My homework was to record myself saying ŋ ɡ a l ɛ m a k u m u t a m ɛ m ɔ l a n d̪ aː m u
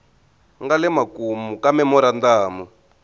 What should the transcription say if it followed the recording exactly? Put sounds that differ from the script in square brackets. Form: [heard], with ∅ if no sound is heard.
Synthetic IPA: ŋ ɡ a l ɛ m a k u m u [k] a m ɛ m ɔ [ɾ] a n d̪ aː m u